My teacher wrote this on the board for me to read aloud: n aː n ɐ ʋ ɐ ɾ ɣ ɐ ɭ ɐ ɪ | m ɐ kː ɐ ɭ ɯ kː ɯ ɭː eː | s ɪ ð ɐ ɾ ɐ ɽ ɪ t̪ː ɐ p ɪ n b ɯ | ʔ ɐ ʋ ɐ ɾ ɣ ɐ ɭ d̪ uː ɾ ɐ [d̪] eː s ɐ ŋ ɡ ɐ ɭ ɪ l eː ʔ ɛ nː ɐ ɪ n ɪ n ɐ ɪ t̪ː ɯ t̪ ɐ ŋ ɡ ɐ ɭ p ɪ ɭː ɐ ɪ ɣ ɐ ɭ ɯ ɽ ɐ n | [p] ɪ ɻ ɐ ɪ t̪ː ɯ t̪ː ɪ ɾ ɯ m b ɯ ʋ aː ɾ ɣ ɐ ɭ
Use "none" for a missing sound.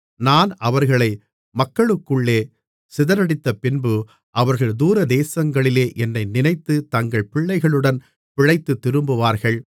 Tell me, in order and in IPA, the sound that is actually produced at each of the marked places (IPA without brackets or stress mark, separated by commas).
d̪, p